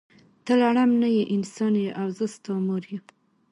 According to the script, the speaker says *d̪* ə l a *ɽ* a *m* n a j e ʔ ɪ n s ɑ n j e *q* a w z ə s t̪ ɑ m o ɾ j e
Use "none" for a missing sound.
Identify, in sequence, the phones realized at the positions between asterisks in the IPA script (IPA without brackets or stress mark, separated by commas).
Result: t̪, ɽ, m, ʔ